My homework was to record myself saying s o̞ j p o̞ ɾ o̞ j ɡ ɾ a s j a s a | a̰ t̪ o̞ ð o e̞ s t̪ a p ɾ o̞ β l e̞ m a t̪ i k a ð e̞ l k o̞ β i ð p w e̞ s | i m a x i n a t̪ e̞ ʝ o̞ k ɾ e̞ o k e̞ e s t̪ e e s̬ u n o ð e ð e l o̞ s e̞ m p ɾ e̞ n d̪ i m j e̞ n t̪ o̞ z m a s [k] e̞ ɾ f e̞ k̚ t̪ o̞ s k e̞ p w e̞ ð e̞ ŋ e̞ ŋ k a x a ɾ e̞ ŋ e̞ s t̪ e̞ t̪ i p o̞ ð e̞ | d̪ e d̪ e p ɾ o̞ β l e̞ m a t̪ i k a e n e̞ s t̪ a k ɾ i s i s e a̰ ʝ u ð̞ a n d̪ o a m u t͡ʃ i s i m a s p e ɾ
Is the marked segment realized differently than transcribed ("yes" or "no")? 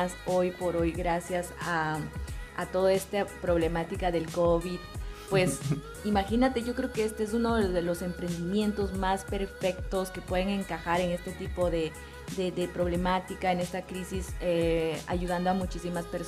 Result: yes